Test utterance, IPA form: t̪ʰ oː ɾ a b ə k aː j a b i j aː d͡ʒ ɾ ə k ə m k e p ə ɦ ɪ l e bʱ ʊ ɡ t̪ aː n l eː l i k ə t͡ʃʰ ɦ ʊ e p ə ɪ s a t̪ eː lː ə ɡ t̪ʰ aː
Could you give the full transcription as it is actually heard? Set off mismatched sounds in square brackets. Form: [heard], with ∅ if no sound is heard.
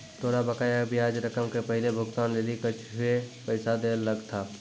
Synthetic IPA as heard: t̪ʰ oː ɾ a b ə k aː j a b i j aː d͡ʒ ɾ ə k ə m k e p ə ɦ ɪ l e bʱ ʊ ɡ t̪ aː n l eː l i k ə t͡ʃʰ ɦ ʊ e p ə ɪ s a [d̪] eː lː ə ɡ t̪ʰ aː